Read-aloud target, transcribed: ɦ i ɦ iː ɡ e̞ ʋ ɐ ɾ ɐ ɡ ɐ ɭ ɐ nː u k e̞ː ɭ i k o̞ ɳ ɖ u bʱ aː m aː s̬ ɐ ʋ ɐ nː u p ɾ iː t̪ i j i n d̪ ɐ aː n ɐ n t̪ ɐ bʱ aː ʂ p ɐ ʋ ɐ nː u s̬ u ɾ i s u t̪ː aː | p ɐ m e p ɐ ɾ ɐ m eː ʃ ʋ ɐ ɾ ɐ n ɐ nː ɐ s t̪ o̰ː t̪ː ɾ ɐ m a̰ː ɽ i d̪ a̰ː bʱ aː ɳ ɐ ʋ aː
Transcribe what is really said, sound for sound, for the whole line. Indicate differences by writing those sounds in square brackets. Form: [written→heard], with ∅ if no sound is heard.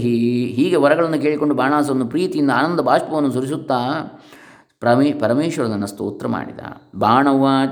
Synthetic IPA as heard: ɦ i ɦ iː ɡ e̞ ʋ ɐ ɾ ɐ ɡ ɐ ɭ ɐ nː u k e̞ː ɭ i k o̞ ɳ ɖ u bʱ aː [m→ɳ] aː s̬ ɐ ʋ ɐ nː u p ɾ iː t̪ i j i n d̪ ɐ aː n ɐ n [t̪→d̪] ɐ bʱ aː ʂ p ɐ ʋ ɐ nː u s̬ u ɾ i s u t̪ː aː | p ɐ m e p ɐ ɾ ɐ m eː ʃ ʋ ɐ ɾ ɐ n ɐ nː ɐ s t̪ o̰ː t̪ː ɾ ɐ m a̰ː ɽ i d̪ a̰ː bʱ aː ɳ ɐ ʋ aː